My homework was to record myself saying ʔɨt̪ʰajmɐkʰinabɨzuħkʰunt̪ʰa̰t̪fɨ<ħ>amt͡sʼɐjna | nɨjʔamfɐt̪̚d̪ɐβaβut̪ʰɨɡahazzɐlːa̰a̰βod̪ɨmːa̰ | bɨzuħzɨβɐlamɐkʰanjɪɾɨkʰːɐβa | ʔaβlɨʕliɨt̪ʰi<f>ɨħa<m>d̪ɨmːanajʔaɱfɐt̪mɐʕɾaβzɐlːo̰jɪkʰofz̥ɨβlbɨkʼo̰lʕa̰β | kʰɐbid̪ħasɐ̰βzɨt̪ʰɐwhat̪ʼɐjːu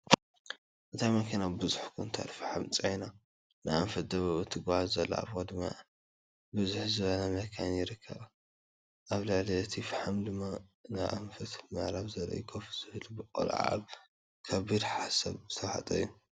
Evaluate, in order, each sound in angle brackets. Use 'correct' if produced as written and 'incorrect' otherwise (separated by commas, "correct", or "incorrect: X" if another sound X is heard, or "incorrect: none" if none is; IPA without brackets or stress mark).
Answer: correct, correct, correct